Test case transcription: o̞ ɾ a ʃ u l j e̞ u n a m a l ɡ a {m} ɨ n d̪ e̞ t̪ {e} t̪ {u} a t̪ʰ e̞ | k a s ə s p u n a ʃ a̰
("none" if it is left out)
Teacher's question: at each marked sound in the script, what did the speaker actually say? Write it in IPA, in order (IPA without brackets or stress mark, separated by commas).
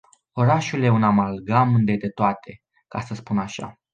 m, e, o